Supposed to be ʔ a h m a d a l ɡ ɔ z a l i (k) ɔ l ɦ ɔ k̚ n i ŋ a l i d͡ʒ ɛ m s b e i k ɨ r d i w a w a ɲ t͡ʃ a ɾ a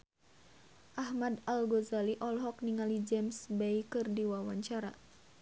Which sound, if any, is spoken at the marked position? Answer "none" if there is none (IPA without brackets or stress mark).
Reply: ʔ